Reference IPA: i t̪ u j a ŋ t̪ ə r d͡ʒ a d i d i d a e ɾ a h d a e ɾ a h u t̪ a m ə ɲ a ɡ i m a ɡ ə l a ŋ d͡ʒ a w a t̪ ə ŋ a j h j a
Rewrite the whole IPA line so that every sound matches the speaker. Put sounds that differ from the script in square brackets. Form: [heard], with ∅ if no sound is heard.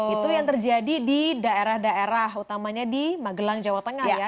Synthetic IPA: i t̪ u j a ŋ t̪ ə r d͡ʒ a d i d i d a e ɾ a h d a e ɾ a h u t̪ a m [a] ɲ a [d] i m a ɡ ə l a ŋ d͡ʒ a w a t̪ ə ŋ a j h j a